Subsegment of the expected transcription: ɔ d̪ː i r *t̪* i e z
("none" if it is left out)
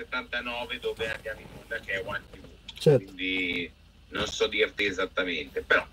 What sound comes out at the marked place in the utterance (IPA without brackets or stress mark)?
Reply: t̪